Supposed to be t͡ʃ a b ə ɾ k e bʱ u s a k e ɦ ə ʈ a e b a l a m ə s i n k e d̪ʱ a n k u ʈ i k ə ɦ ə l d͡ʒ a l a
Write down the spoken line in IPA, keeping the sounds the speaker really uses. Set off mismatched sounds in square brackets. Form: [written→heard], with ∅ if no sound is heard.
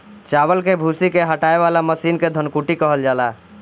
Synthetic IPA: t͡ʃ a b ə [ɾ→l] k e bʱ u s [a→i] k e ɦ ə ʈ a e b a l a m ə s i n k e d̪ʱ [a→ə] n k u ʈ i k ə ɦ ə l d͡ʒ a l a